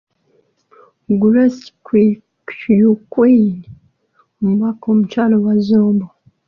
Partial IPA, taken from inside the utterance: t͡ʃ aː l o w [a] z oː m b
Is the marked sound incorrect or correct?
correct